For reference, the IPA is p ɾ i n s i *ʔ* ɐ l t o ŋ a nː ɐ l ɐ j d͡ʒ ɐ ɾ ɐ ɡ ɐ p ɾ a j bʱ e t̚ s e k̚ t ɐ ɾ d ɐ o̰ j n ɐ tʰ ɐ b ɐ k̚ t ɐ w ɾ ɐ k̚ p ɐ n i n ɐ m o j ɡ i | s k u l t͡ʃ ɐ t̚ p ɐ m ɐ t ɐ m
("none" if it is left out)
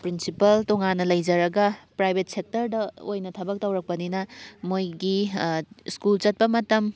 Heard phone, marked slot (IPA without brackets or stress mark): p